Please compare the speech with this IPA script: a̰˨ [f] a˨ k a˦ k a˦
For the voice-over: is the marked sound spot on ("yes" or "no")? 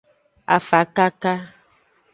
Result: yes